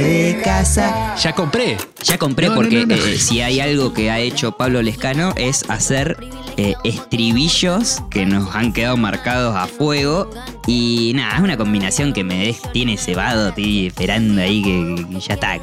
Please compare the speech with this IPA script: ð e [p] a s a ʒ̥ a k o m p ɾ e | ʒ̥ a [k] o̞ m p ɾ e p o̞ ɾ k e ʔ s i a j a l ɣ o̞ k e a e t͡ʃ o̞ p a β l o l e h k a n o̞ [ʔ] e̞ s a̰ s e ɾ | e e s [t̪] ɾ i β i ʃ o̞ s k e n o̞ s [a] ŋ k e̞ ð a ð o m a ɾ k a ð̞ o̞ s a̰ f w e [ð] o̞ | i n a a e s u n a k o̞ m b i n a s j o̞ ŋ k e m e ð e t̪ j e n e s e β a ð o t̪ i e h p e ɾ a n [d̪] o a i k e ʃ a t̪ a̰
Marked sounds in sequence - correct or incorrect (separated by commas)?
incorrect, correct, correct, correct, correct, incorrect, correct